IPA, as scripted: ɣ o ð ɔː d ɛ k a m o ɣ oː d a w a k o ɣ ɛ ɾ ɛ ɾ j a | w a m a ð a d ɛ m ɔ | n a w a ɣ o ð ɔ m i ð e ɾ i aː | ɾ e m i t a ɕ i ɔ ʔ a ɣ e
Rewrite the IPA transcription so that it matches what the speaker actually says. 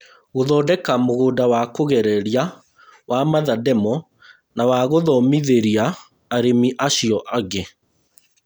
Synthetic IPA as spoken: ɣ o ð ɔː d ɛ k a m o ɣ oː d a w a k o ɣ ɛ ɾ ɛ ɾ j a | w a m a ð a d ɛ m ɔ | n a w a ɣ o ð ɔ m i ð e ɾ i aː | ɾ e m i ʔ a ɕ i ɔ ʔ a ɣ e